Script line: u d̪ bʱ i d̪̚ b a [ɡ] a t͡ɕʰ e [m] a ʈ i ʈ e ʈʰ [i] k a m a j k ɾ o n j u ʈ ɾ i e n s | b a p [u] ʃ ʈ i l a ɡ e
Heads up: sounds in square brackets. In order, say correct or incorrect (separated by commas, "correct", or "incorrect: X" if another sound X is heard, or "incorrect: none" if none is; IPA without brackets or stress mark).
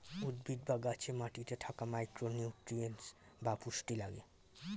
correct, correct, incorrect: a, correct